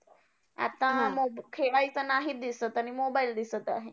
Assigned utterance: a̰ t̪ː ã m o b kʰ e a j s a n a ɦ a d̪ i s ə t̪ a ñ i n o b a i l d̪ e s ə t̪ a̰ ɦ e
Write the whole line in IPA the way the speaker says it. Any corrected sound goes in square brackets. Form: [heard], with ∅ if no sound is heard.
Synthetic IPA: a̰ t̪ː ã m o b kʰ e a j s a n a ɦ [i] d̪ i s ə t̪ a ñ i [m] o b a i l d̪ [i] s ə t̪ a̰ ɦ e